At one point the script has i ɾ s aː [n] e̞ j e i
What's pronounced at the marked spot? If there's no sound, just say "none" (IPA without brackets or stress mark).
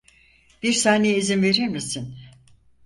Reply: n